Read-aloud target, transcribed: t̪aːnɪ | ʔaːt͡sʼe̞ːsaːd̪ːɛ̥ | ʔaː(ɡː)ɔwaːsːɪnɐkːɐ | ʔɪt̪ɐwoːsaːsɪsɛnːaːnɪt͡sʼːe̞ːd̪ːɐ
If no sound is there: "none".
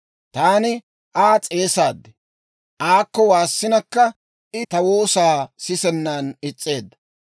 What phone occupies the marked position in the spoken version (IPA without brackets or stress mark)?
kː